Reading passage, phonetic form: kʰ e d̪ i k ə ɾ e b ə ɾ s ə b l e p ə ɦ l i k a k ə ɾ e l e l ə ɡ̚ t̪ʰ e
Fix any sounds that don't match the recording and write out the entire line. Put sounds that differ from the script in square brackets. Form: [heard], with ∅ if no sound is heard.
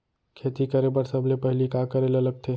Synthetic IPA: kʰ e [t̪] i k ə ɾ e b ə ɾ s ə b l e p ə ɦ l i k a k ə ɾ e l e l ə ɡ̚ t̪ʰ e